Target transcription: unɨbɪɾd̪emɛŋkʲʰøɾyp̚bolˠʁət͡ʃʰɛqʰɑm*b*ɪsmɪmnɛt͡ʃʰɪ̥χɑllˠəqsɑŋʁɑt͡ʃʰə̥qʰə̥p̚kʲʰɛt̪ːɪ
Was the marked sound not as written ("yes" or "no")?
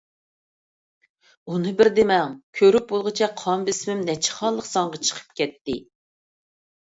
no